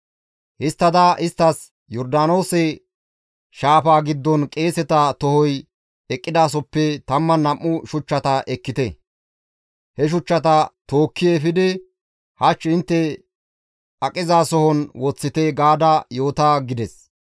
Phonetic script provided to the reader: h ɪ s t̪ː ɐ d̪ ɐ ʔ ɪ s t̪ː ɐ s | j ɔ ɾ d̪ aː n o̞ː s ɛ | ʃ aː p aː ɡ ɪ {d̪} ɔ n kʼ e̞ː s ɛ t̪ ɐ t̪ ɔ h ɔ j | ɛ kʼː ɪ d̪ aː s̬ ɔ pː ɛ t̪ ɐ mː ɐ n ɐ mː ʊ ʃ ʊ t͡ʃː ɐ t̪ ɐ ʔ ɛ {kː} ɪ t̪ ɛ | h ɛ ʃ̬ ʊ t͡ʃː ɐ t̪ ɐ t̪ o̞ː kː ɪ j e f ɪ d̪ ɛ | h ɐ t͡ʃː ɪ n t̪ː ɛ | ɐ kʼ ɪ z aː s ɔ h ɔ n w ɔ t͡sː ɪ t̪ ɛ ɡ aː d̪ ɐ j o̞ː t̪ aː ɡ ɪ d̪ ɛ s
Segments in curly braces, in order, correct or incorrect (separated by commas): incorrect, correct